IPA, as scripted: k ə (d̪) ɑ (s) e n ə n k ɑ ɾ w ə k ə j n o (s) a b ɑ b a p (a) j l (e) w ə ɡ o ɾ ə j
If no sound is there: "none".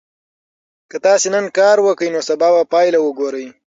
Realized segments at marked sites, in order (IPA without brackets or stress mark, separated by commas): t̪, s, s, ɑ, a